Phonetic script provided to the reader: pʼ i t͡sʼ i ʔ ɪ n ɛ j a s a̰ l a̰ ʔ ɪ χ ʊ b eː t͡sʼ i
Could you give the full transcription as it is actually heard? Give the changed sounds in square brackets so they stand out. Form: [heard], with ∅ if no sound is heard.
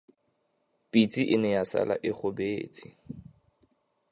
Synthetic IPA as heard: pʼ i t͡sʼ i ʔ ɪ n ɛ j a s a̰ l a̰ ʔ ɪ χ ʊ b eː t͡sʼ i